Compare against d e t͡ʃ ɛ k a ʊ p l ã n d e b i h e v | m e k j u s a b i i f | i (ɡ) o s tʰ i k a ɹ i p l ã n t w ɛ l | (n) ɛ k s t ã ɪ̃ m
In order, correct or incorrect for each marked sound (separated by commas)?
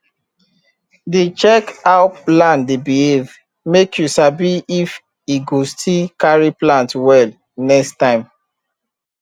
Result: correct, correct